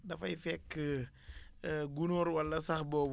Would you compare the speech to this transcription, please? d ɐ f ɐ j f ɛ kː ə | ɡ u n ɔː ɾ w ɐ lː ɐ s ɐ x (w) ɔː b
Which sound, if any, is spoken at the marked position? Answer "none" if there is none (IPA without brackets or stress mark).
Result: b